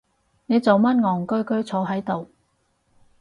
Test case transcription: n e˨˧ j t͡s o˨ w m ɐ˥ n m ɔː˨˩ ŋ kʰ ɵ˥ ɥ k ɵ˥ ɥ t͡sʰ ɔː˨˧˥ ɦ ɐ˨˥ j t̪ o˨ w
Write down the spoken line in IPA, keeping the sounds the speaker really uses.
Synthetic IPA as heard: n e˨˧ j t͡s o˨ w m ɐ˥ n ŋ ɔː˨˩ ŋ k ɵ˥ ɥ k ɵ˥ ɥ t͡sʰ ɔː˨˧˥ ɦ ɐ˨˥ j t̪ o˨ w